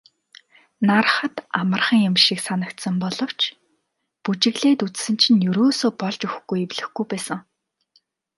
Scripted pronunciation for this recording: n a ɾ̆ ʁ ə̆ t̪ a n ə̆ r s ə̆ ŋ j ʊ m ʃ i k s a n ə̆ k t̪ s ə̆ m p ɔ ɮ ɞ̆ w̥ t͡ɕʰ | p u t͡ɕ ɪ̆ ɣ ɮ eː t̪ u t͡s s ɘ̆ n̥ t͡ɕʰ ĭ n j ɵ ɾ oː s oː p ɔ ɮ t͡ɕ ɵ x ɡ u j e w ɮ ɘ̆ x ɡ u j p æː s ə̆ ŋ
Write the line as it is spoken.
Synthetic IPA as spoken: n a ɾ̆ χ ə̆ t̪ a m ə̆ r χ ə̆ ŋ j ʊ m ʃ i k s a n ə̆ k t̪ s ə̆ m p ɔ ɮ ɞ̆ w̥ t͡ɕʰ | p u t͡ɕ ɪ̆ ɣ ɮ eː t̪ u t͡s s ɘ̆ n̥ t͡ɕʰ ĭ n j ɵ ɾ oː s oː p ɔ ɮ t͡ɕ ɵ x ɡ u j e w ɮ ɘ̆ x ɡ u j p æː s ə̆ ŋ